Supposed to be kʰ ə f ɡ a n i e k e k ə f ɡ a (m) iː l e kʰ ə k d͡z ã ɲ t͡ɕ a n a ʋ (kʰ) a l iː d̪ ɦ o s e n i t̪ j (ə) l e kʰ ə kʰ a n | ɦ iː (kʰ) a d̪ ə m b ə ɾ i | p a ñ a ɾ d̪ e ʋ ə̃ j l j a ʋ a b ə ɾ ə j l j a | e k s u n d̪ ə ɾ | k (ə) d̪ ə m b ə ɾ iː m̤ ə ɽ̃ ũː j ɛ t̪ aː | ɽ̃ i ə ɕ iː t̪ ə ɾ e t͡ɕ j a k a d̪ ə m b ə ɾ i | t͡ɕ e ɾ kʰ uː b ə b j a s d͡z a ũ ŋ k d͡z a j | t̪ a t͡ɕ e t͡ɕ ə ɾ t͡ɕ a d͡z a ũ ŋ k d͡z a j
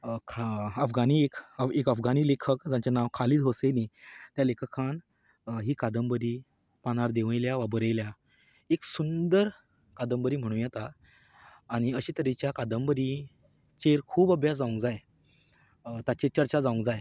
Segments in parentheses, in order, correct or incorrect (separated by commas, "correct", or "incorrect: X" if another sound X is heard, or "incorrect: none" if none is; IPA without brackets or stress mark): incorrect: n, correct, incorrect: a, incorrect: k, incorrect: a